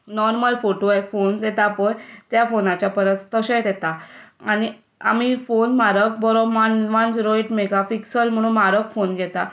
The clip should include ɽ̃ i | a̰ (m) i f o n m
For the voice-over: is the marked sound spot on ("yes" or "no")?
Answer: yes